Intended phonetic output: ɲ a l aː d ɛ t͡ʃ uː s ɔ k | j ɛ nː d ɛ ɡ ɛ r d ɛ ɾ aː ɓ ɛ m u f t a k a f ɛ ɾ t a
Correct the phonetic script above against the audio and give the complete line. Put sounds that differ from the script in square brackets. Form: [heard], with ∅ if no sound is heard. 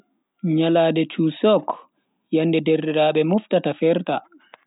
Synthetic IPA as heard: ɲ a l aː d ɛ t͡ʃ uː s ɔ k | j [a] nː d ɛ [d] ɛ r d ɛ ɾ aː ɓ ɛ m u f t a [t] a f ɛ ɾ t a